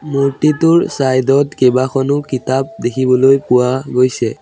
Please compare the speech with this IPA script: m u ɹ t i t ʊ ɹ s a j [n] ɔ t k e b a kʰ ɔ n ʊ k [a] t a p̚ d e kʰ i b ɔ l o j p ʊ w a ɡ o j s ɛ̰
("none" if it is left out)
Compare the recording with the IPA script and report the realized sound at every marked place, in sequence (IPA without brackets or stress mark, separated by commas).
d, i